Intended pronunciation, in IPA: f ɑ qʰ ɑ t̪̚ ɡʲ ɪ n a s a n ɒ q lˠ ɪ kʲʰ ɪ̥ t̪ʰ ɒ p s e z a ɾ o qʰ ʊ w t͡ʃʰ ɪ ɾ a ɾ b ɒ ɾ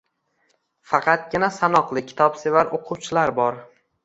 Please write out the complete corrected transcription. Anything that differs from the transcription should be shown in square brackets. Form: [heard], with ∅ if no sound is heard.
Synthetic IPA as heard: f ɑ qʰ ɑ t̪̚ ɡʲ ɪ n a s a n ɒ q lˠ ɪ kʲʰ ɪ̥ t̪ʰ ɒ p s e [v] a ɾ o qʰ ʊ w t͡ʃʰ ɪ [l] a ɾ b ɒ ɾ